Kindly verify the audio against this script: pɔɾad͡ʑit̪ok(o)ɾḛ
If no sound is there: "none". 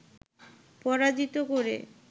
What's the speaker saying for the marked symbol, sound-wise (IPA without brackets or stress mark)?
o